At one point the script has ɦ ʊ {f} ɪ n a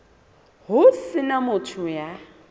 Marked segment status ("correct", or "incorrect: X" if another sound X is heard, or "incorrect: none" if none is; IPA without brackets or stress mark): incorrect: s